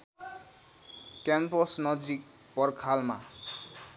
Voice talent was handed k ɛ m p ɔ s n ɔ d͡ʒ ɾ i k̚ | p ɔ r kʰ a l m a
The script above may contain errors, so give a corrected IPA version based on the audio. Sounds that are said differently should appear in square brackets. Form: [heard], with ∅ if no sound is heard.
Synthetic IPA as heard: k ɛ m p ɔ s n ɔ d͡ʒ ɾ i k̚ | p ɔ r kʰ a l m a